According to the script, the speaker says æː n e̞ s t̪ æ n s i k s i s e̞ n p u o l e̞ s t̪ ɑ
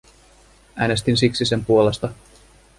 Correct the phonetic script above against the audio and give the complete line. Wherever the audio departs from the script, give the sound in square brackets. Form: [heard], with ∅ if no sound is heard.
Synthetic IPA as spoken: æː n e̞ s t̪ [i] n s i k s i s e̞ [m] p u o l e̞ s t̪ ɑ